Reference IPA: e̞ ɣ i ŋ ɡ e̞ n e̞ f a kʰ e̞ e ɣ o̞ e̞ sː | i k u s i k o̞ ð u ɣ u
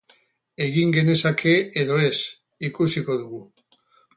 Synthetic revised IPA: e̞ ɣ i ŋ ɡ e̞ n e̞ s a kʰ e̞ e ð o̞ e̞ s | i k u s i k o̞ ð u ɣ u

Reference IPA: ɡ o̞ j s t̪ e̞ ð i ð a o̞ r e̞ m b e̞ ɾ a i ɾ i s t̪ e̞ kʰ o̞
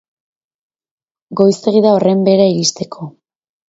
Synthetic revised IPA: ɡ o̞ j s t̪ e̞ ɣ i ð a o̞ r e̞ m b e̞ ɾ a i ɾ i s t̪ e̞ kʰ o̞

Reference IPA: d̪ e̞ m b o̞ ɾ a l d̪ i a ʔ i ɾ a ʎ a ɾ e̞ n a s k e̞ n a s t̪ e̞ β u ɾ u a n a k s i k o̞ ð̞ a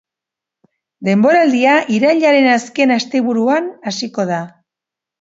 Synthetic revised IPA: d̪ e̞ m b o̞ ɾ a l d̪ i a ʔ i ɾ a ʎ a ɾ e̞ n a s k e̞ n a s t̪ e̞ β u ɾ u a n a s i k o̞ ð̞ a

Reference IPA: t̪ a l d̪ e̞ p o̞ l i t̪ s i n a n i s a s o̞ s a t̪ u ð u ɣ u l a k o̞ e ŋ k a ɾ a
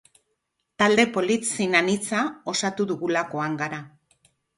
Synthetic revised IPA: t̪ a l d̪ e̞ p o̞ l i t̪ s i n a n i t͡s a o̞ s a t̪ u ð u ɣ u l a k o̞ a ŋ ɡ a ɾ a

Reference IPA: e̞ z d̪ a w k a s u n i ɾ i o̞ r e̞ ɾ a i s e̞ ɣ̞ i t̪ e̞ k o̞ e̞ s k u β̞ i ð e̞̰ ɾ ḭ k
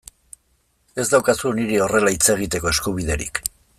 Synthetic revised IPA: e̞ z d̪ a w k a s u n i ɾ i o̞ r e̞ l a i t͡s e̞ ɣ̞ i t̪ e̞ k o̞ e̞ s k u β̞ i ð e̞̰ ɾ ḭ k

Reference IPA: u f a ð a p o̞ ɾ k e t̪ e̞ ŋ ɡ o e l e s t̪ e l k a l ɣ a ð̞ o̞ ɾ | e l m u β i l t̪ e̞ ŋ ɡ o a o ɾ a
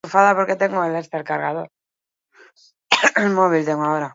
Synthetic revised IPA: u f a ð a p o̞ ɾ k e t̪ e̞ ŋ ɡ o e l e s t̪ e l k a ɾ ɣ a ð̞ o̞ ɾ | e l m o β i l t̪ e̞ ŋ ɡ o a o ɾ a

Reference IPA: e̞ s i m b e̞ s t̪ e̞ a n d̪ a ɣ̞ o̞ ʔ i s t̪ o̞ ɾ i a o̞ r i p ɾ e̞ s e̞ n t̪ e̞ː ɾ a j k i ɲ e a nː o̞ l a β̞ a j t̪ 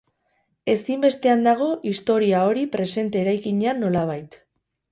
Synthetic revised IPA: e̞ s i m b e̞ s t̪ e̞ a n d̪ a ɣ̞ o̞ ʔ i s t̪ o̞ ɾ i a o̞ ɾ i p ɾ e̞ s e̞ n t̪ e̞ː ɾ a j k i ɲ e a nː o̞ l a β̞ a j t̪

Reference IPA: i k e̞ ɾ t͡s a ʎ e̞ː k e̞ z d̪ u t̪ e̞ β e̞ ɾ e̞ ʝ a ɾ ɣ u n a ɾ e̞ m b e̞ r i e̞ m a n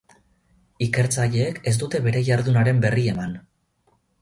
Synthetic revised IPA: i k e̞ ɾ t͡s a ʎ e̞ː k e̞ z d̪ u t̪ e̞ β e̞ ɾ e̞ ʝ a ɾ ð u n a ɾ e̞ m b e̞ r i e̞ m a n

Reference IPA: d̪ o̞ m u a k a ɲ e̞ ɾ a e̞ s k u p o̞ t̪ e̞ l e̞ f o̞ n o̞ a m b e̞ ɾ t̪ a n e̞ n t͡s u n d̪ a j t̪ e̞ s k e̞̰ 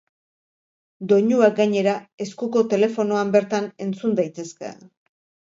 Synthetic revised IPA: d̪ o̞ ɲ u a ɡ a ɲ e̞ ɾ a e̞ s k u k o̞ t̪ e̞ l e̞ f o̞ n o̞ a m b e̞ ɾ t̪ a n e̞ n t͡s u n d̪ a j t̪ e̞ s k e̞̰

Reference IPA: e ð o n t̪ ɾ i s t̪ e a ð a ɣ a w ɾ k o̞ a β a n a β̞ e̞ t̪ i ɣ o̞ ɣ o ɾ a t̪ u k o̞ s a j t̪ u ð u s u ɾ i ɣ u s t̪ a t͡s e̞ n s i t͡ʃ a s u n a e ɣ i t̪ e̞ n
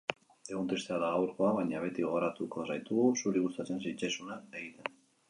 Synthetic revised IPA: e ɣ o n t̪ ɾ i s t̪ e a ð a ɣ a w ɾ k o̞ a β a ɲ a β̞ e̞ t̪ i ɣ o̞ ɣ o ɾ a t̪ u k o̞ s a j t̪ u ɣ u s u ɾ i ɣ u s t̪ a t͡s e̞ n s i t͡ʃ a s u n a e ɣ i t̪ e̞ n

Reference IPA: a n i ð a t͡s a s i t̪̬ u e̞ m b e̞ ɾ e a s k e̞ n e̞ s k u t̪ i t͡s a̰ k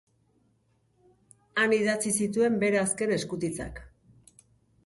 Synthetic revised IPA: a n i ð a t͡s i s i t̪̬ u e̞ m b e̞ ɾ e a s k e̞ n e̞ s k u t̪ i t͡s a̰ k

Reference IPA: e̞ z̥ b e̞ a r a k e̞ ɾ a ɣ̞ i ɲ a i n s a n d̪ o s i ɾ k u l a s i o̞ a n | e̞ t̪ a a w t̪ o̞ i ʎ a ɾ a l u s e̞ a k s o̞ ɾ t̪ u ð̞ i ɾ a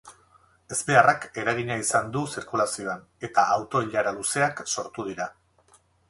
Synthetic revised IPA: e̞ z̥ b e̞ a r a k e̞ ɾ a ɣ̞ i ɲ a i s a n d̪ u s i ɾ k u l a s i o̞ a n | e̞ t̪ a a w t̪ o̞ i ʎ a ɾ a l u s e̞ a k s o̞ ɾ t̪ u ð̞ i ɾ a

